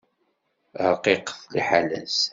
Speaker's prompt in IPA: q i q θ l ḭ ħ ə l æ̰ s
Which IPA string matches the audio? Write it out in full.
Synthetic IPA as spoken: q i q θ l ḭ ħ a l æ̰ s